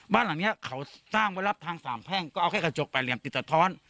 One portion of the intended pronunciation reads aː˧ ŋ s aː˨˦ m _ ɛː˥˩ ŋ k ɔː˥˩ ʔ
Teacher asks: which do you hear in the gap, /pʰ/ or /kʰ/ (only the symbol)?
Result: pʰ